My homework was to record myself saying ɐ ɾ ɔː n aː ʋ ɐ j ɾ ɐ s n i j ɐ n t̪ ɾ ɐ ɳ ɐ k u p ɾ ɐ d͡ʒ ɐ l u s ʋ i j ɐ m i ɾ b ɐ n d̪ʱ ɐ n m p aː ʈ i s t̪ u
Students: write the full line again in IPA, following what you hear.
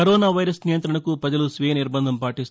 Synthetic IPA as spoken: ɐ ɾ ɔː n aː ʋ ɐ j ɾ ɐ s n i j ɐ n t̪ ɾ ɐ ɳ ɐ k u p ɾ ɐ d͡ʒ ɐ l u s ʋ i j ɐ n i ɾ b ɐ n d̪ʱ ɐ m p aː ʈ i s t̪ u